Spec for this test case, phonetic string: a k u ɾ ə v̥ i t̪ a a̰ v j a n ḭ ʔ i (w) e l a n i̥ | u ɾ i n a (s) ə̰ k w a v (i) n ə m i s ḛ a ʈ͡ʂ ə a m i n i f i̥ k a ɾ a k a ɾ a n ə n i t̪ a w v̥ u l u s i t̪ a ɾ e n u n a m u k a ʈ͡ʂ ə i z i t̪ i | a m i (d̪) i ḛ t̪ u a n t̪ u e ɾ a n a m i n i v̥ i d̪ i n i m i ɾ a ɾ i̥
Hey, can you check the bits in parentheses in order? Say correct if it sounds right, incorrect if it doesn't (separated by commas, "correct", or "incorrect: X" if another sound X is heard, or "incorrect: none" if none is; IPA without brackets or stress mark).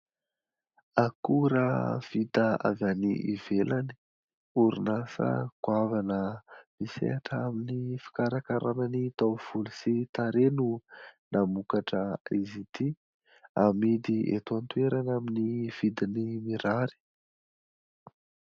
incorrect: v, correct, incorrect: a, correct